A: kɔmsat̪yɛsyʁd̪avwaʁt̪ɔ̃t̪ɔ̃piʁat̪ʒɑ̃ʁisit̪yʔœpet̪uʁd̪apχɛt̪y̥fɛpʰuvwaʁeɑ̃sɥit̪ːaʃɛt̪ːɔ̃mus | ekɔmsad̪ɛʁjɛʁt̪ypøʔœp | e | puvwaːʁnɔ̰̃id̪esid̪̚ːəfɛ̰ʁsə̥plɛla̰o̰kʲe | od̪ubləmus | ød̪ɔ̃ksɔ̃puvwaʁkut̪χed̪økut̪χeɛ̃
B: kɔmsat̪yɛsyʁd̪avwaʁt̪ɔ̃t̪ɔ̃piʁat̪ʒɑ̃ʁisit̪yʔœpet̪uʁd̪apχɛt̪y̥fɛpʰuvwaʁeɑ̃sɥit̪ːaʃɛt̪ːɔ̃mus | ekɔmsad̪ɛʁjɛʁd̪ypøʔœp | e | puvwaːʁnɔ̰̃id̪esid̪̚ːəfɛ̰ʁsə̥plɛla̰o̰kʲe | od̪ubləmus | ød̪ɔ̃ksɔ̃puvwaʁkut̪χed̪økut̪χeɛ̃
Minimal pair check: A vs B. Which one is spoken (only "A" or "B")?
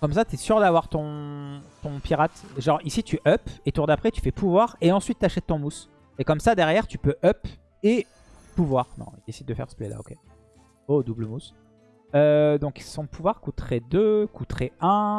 A